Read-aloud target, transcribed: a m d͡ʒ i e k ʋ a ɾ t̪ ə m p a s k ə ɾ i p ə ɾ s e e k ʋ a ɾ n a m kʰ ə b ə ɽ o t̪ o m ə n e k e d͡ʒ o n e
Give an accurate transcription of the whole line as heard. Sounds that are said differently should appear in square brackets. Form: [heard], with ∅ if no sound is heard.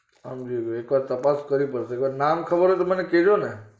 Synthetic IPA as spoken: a m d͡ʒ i e k ʋ a ɾ t̪ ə [∅] p a s k ə ɾ i p ə ɾ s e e k ʋ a ɾ n a m kʰ ə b ə [ɾ] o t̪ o m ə n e k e d͡ʒ o n e